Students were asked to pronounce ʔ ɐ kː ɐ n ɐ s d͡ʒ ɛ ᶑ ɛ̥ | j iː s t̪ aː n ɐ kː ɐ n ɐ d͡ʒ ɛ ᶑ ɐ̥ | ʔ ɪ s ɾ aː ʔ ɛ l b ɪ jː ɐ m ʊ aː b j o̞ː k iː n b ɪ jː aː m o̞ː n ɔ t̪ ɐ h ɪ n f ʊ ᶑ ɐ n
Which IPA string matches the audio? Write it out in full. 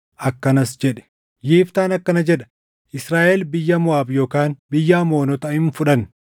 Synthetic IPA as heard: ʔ ɐ kː ɐ n ɐ s d͡ʒ ɛ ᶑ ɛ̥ | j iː f t̪ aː n ɐ kː ɐ n ɐ d͡ʒ ɛ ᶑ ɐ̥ | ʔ ɪ s ɾ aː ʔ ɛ l b ɪ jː ɐ m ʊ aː b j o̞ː k aː n b ɪ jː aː m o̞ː n ɔ t̪ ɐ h ɪ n f ʊ ᶑ ɐ n